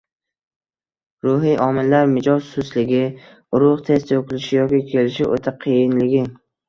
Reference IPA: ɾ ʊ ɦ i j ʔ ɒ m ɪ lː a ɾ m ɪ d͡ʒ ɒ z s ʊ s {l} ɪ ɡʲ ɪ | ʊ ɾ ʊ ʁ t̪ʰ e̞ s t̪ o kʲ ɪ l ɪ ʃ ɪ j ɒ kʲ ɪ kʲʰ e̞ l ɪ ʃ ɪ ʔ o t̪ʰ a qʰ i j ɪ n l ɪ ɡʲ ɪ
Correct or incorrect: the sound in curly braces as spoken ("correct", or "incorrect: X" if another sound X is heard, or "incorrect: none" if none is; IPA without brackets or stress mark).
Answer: correct